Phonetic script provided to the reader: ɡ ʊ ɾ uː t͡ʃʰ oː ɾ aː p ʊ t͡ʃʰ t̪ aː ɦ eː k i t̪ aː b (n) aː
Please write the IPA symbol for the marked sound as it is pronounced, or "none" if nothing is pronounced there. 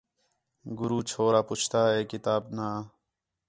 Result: n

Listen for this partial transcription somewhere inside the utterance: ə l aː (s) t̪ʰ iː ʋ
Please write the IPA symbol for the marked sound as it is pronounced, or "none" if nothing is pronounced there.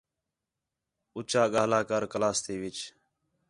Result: s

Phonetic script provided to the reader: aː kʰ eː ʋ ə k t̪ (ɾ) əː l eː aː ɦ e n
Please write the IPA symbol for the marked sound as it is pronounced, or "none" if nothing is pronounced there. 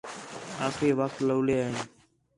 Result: l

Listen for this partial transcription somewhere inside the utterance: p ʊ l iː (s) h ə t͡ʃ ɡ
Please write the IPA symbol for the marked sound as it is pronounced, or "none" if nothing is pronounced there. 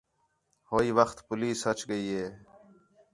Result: s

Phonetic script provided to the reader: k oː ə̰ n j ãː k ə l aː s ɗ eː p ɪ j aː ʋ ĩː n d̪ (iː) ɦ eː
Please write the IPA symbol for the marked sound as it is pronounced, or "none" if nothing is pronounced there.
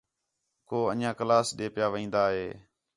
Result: aː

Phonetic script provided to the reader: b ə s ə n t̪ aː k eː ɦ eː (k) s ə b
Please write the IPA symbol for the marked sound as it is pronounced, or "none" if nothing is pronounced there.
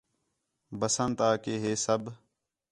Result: none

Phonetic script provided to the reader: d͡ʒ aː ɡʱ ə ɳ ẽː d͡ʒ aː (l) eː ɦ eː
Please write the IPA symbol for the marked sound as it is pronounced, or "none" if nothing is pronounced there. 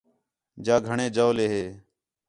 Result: l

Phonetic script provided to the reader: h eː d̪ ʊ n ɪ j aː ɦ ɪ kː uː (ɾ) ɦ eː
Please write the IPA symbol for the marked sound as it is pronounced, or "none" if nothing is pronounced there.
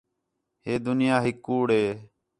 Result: ɽ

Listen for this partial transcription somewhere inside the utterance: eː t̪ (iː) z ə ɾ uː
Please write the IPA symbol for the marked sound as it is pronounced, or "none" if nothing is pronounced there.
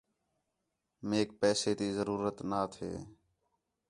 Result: iː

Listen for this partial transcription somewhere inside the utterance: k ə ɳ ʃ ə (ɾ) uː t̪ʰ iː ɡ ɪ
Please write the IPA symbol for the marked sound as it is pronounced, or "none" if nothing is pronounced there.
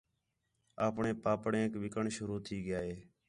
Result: ɾ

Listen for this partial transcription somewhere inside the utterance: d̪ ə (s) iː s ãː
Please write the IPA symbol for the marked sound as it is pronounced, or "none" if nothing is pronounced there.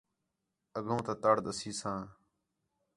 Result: s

